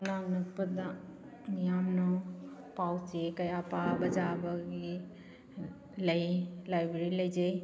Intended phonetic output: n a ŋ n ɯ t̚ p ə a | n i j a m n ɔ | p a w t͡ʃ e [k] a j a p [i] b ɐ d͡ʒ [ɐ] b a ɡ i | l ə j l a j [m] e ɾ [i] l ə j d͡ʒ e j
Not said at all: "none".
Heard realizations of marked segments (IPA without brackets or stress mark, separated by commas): k, a, a, b, i